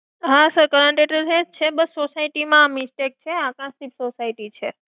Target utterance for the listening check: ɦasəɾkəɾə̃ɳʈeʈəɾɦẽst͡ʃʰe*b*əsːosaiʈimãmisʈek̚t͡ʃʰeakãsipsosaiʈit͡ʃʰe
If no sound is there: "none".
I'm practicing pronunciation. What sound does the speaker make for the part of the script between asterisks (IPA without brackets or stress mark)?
b